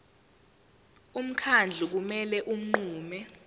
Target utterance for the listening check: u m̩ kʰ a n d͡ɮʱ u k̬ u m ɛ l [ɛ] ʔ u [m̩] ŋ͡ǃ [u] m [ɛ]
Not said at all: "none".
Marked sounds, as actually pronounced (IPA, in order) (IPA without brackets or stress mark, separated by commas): ɛ, m̩, uː, ɛ